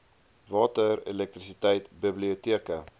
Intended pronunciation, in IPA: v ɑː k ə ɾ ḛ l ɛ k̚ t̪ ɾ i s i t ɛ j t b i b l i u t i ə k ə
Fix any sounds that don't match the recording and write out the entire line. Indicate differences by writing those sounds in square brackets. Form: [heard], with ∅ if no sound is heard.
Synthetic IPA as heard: v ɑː [t] ə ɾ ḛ l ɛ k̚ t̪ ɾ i s i t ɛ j t b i b l i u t i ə k ə